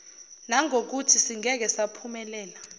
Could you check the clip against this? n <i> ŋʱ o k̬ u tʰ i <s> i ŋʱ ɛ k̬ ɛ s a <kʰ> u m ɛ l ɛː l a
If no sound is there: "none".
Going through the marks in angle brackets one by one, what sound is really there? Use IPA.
a, s, pʰ

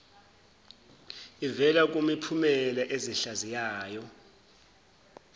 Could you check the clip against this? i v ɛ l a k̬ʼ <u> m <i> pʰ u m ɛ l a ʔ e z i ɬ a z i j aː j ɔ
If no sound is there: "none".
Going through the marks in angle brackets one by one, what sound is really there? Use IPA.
u, i

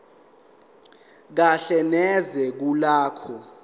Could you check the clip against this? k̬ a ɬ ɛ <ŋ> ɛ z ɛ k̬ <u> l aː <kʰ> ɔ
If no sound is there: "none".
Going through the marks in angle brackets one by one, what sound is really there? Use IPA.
n, u, kʰ

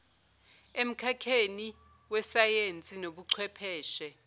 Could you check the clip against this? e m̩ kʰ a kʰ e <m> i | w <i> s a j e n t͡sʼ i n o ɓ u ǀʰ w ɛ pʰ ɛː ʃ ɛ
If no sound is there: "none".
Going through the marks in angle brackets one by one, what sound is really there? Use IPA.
n, ɛ

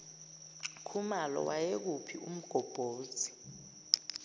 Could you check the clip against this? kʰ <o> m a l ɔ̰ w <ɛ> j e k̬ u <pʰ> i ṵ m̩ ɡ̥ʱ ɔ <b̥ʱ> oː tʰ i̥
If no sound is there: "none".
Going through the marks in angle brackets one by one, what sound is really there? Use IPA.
u, a, pʰ, b̥ʱ

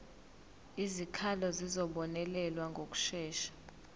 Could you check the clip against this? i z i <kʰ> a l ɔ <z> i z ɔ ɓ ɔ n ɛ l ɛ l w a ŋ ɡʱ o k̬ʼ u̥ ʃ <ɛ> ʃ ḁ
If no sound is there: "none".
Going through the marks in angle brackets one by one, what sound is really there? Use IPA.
kʰ, z, ɛː

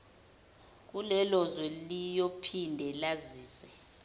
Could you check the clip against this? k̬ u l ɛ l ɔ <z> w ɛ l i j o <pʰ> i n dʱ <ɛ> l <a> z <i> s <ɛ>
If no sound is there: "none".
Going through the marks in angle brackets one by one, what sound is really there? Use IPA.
z, pʰ, ɛ, a, iː, ɛ

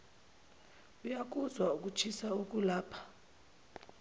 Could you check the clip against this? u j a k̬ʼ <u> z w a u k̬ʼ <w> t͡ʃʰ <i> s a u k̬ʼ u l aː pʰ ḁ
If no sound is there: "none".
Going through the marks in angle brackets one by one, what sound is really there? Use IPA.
u, u, i

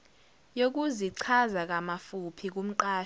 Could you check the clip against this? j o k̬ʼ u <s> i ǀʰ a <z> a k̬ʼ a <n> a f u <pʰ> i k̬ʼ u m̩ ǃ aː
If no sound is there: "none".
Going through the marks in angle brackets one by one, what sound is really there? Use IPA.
z, z, m, pʰ

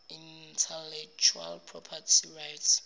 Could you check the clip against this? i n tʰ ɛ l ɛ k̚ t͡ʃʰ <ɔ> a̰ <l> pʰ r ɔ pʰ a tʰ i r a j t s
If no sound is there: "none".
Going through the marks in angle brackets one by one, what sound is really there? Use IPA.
u, l

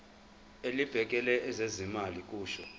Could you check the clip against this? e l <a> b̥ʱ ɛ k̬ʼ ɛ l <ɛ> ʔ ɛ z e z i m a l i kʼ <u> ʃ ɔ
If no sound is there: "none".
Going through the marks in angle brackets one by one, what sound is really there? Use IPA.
i, ɛ, uː

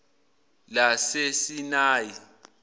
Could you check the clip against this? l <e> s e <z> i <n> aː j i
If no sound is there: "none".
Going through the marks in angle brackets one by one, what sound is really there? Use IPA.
a, s, n

